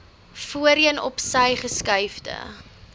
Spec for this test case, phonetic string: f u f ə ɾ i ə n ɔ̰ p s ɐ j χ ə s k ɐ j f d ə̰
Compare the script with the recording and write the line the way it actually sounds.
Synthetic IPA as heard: f u ə ɾ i ə n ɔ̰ p s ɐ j χ ə s k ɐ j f d ə̰